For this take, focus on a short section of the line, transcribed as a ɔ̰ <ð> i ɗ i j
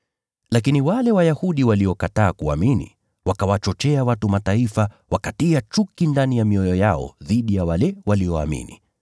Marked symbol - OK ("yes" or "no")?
yes